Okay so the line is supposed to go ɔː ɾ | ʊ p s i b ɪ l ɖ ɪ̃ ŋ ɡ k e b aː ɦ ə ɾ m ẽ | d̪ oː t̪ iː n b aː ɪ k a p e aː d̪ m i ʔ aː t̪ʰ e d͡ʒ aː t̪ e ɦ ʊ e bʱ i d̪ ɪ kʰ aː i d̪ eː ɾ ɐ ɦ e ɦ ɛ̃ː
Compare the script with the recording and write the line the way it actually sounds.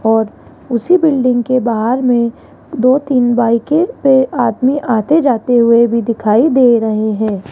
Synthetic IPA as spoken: ɔː ɾ | ʊ s i b ɪ l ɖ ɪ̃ ŋ ɡ k e b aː ɦ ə ɾ m ẽ | d̪ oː t̪ iː n b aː ɪ k e p e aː d̪ m i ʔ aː t̪ e d͡ʒ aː t̪ e ɦ ʊ e bʱ i d̪ ɪ kʰ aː i d̪ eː ɾ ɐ ɦ e ɦ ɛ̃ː